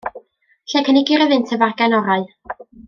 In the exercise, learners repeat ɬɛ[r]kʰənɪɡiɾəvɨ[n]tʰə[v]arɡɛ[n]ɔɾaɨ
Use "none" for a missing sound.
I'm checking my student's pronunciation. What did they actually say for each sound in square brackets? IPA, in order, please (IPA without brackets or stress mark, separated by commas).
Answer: none, n, v, n